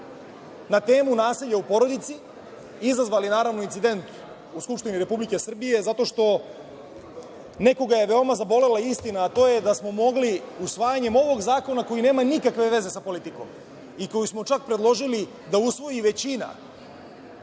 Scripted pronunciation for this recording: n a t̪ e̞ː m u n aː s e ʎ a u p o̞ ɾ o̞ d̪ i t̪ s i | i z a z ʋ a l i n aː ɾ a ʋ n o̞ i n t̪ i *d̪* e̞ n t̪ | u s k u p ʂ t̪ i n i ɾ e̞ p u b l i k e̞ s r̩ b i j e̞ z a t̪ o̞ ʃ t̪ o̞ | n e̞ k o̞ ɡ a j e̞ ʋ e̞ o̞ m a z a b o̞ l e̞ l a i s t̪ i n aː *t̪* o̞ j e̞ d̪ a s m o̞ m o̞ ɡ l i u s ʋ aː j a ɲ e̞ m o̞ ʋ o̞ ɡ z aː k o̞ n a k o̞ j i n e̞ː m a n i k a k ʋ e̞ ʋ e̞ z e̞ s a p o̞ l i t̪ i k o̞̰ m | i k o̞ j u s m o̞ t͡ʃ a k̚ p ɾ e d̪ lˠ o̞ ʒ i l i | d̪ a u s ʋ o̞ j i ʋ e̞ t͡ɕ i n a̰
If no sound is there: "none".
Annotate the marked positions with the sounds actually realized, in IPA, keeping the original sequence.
d̪, t̪

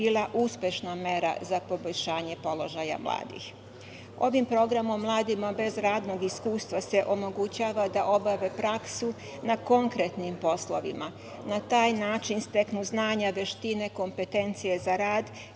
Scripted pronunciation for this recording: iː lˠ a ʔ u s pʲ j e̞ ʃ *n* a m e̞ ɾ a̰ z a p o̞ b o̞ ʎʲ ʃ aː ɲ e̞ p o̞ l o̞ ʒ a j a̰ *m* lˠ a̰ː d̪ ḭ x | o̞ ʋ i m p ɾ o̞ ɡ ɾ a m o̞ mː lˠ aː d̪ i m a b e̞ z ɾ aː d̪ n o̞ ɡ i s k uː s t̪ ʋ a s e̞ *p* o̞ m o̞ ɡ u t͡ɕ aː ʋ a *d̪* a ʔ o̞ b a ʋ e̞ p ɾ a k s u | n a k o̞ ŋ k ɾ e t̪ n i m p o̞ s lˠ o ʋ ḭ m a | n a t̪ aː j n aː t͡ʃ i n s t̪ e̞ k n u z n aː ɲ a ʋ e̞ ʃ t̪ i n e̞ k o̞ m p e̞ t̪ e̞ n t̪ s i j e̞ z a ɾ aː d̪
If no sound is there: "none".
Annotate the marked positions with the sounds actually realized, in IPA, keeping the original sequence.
n, m, ʔ, d̪

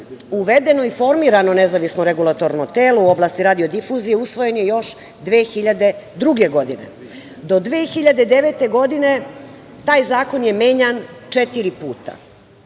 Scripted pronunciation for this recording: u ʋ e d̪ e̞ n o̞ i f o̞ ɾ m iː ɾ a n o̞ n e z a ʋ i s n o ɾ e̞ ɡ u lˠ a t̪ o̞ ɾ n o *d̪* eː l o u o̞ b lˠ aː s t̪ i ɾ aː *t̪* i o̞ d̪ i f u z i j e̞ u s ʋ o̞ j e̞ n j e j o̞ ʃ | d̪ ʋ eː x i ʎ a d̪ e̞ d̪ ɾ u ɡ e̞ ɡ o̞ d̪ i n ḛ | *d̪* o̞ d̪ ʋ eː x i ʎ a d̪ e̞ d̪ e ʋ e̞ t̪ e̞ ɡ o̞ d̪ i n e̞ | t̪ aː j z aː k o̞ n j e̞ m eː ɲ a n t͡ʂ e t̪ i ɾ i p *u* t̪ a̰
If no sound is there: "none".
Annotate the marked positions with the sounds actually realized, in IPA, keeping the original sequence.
t̪, d̪, d̪, uː

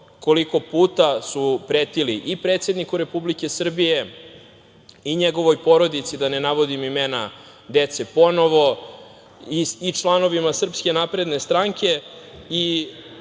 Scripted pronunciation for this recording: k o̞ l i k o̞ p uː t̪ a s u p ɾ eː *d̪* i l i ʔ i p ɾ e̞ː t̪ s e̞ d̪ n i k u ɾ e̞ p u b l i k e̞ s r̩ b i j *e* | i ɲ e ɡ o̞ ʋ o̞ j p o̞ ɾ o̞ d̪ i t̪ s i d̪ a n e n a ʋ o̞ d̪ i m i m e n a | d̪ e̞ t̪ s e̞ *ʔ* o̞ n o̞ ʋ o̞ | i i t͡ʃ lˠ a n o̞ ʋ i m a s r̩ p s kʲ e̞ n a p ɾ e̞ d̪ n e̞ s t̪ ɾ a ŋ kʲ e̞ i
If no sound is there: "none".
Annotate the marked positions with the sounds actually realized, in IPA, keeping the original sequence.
t̪, e, p

